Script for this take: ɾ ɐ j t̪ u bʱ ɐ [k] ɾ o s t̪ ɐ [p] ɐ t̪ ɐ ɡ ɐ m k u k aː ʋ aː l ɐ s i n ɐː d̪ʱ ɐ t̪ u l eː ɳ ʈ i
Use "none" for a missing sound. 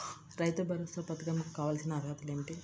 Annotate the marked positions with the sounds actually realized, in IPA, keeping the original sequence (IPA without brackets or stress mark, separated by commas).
none, p